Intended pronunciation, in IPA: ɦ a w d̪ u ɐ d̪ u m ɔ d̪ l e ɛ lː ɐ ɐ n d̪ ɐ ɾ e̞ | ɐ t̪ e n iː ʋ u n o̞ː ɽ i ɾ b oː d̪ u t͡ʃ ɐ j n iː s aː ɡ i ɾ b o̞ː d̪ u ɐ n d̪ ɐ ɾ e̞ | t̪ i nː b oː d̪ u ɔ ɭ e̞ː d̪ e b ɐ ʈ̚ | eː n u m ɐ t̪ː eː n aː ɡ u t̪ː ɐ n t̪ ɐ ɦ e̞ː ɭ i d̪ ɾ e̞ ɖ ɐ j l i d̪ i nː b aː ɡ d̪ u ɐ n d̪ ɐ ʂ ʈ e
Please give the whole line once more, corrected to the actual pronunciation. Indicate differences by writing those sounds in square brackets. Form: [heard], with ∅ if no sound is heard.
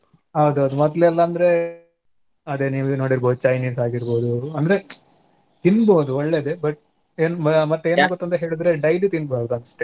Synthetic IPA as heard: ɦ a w d̪ u ɐ d̪ u m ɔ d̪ l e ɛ lː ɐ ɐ n d̪ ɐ ɾ e̞ | ɐ [d̪] e n iː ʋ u n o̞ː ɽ i ɾ b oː d̪ u t͡ʃ ɐ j n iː s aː ɡ i ɾ b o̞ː d̪ u ɐ n d̪ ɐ ɾ e̞ | t̪ i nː b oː d̪ u ɔ [ɭː] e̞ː d̪ e b ɐ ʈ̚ | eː n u m ɐ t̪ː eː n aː ɡ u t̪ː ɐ n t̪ ɐ ɦ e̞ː ɭ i d̪ ɾ e̞ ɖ ɐ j l i [t̪] i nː b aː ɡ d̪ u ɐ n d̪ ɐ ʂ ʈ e